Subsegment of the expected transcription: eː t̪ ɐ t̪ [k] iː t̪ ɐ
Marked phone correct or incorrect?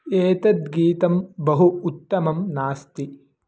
incorrect